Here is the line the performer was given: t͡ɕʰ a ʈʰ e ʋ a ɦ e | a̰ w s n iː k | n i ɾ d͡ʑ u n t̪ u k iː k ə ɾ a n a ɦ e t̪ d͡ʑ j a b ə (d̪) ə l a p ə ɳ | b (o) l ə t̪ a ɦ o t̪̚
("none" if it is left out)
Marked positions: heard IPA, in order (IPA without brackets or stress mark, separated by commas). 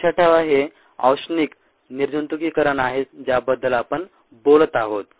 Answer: d̪ː, o